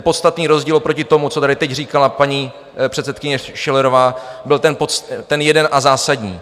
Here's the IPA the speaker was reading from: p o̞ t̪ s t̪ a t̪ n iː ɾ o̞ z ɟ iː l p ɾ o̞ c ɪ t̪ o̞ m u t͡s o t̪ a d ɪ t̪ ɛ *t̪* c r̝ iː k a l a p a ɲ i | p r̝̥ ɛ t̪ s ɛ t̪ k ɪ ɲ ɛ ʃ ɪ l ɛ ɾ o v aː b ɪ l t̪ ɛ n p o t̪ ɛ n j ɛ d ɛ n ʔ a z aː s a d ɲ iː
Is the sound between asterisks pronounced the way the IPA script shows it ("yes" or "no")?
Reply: no